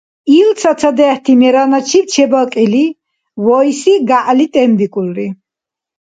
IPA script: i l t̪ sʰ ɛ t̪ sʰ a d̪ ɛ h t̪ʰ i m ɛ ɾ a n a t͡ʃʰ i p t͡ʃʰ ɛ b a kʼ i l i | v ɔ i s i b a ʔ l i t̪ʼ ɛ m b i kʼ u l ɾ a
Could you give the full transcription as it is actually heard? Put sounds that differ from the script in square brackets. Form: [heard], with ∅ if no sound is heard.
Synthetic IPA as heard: i l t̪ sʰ [a] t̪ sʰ a d̪ ɛ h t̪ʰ i m ɛ ɾ a n a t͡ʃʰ i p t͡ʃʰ ɛ b a kʼ i l i | v ɔ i s i [ɡ] a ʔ l i t̪ʼ ɛ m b i kʼ u l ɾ [i]